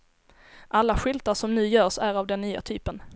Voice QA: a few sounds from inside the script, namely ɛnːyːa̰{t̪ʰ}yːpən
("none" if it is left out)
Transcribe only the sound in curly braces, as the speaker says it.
t̪ʰ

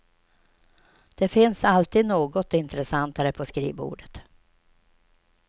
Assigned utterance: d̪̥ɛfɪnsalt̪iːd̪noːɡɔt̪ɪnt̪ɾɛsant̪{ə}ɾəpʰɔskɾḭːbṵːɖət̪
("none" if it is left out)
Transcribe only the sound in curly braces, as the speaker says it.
a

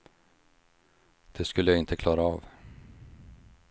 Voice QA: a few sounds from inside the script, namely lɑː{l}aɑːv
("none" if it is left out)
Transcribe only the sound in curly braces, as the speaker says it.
ɾ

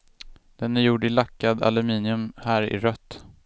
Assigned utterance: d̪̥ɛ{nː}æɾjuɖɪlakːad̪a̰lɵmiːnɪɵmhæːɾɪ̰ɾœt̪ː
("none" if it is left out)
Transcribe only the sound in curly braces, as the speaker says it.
n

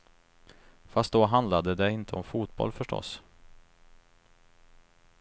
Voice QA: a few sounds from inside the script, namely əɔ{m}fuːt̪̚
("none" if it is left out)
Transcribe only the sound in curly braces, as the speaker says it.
m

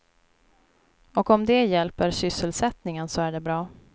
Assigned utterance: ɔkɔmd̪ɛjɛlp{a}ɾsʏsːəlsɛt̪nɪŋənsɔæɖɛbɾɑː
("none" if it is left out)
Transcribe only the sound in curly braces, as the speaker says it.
ə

